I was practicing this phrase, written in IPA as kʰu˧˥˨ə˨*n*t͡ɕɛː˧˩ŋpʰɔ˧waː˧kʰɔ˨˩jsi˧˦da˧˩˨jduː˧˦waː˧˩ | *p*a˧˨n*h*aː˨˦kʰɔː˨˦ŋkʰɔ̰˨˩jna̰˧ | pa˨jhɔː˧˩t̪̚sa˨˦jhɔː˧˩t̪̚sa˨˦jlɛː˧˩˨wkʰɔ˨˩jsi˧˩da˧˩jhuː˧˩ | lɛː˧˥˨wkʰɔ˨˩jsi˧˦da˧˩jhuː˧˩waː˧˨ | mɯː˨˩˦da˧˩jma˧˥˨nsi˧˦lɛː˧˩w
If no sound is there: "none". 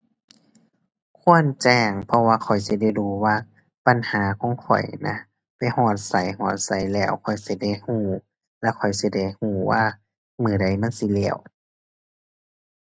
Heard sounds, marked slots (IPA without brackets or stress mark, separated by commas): n, p, h